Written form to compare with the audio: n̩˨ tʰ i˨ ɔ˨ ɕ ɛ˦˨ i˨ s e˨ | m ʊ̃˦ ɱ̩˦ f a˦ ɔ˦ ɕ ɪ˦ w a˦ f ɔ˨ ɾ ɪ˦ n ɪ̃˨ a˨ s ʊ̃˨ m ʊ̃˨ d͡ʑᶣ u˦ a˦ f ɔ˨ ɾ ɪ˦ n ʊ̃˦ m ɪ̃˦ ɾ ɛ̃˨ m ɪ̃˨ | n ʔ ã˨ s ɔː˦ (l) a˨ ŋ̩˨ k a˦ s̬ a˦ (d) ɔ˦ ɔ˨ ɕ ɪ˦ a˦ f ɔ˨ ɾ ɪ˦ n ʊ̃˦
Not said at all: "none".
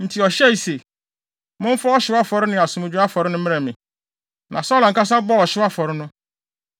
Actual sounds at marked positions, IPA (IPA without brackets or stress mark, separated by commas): l, b